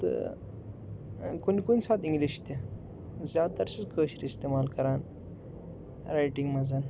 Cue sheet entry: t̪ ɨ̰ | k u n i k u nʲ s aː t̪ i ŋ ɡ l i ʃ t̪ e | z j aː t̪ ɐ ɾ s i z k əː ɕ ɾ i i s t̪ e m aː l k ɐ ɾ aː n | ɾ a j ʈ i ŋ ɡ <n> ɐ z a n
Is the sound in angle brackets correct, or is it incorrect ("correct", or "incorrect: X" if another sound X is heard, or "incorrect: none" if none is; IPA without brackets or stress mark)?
incorrect: m